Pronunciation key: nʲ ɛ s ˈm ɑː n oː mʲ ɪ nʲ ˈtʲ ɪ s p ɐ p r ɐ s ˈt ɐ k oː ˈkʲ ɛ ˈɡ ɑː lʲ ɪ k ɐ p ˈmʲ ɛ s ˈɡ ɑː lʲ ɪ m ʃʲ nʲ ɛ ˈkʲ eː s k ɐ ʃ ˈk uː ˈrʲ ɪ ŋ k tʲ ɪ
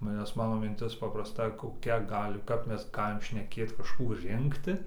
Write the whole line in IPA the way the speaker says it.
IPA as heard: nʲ ɛ s ˈm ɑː n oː mʲ ɪ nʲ ˈtʲ ɪ s p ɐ p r ɐ s ˈt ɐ k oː ˈkʲ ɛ ˈɡ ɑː lʲ ɪ k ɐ p ˈmʲ ɛ s ˈɡ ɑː lʲ ɪ m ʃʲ nʲ ɛ ˈkʲ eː t k ɐ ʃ ˈk uː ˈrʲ ɪ ŋ k tʲ ɪ